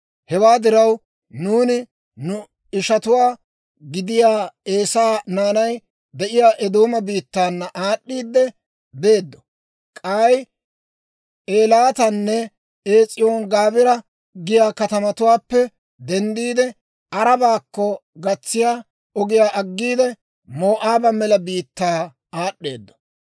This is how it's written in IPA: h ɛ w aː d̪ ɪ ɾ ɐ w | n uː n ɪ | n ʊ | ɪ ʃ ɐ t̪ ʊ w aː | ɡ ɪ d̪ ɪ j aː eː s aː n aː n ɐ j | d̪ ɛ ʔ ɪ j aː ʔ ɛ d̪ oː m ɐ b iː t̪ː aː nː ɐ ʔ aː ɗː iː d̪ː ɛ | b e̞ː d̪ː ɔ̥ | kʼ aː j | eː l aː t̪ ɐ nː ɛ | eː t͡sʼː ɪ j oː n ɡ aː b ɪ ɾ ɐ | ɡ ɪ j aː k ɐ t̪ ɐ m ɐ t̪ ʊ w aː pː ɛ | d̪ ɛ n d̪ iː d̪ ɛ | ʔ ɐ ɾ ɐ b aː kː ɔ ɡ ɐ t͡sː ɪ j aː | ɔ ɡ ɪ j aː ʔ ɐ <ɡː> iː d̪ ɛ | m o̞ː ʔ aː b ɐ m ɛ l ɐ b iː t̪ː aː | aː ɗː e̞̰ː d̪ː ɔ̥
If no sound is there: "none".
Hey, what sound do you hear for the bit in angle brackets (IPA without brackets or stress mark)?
ɡː